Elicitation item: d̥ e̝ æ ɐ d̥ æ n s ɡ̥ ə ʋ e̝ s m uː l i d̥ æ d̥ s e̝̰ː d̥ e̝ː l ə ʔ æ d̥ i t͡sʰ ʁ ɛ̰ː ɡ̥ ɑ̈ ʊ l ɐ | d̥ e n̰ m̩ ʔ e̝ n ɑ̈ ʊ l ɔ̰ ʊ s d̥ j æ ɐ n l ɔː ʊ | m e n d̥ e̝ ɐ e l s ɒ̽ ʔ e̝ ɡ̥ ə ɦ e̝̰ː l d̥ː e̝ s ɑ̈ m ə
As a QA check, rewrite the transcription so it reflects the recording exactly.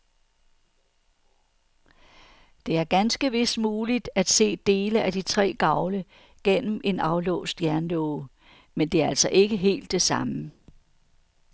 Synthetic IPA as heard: d̥ e̝ æ ɐ ɡ̥ æ n s ɡ̥ ə ʋ e̝ s m uː l i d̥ æ d̥ s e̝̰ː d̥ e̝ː l ə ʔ æ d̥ i t͡sʰ ʁ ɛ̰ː ɡ̥ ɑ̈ ʊ l ə | ɡ̥ e n̰ m̩ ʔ e̝ n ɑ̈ ʊ l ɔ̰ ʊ s d̥ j æ ɐ n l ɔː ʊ | m e n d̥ e̝ ɐ æ l s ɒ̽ ʔ e̝ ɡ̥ ə ɦ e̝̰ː l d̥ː e̝ s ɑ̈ m ə

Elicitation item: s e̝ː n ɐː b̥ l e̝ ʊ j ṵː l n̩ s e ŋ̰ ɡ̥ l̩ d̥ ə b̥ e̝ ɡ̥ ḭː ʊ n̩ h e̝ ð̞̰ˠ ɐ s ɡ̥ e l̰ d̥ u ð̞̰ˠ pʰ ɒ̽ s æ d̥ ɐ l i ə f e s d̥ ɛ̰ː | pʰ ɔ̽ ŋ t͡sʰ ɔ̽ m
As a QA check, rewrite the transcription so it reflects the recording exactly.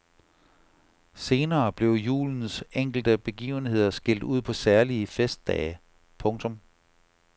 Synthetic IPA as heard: s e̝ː n ɐː b̥ l e̝ ʊ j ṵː l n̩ s e ŋ̰ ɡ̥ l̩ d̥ ə b̥ e̝ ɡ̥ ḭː ʊ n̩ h e̝ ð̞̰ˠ ɐ s ɡ̥ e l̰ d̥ u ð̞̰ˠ pʰ ɒ̽ s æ ɐ l i ə f e s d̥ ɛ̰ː | pʰ ɔ̽ ŋ t͡sʰ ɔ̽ m

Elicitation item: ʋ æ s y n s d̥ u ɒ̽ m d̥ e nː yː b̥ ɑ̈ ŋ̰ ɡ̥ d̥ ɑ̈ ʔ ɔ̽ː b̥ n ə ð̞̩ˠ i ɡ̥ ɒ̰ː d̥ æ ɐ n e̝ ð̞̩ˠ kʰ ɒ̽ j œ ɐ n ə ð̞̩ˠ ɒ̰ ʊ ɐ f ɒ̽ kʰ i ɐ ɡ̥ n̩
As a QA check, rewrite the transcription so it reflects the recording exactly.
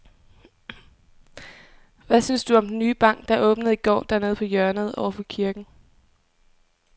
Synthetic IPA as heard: ʋ æ s y n s d̥ u ɒ̽ m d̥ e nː yː b̥ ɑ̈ ŋ̰ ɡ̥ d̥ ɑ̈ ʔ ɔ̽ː b̥ n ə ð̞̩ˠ i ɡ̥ ɒ̰ː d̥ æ ɐ n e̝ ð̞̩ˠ pʰ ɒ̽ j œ ɐ n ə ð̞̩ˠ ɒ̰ ʊ ɐ f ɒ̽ kʰ i ɐ ɡ̥ n̩

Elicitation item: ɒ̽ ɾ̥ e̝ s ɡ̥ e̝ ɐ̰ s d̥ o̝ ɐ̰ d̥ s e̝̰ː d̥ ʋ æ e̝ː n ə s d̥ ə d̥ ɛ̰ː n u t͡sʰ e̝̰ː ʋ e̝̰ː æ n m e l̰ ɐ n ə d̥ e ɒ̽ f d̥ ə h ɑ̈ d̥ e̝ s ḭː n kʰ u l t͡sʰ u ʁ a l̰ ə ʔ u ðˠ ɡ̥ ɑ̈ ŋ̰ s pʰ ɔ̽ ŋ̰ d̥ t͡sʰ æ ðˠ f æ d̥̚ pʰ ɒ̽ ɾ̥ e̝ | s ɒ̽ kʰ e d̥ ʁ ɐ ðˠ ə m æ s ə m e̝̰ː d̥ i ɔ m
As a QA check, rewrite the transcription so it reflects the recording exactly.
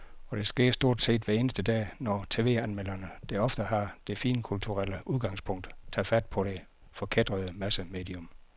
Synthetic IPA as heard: ɒ̽ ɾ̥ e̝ s ɡ̥ e̝ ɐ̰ s d̥ o̝ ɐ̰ d̥ s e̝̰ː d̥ ʋ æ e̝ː n ə s d̥ ə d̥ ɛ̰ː n ɒ t͡sʰ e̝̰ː ʋ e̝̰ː æ n m e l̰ ɐ n ə d̥ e ɒ̽ f d̥ ə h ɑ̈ d̥ e̝ f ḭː n kʰ u l t͡sʰ u ʁ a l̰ ə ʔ u ðˠ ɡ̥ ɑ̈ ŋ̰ s pʰ ɔ̽ ŋ̰ d̥ t͡sʰ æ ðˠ f æ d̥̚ pʰ ɒ̽ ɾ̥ e̝ | f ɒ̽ kʰ e d̥ ʁ ɐ ðˠ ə m æ s ə m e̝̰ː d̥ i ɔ m

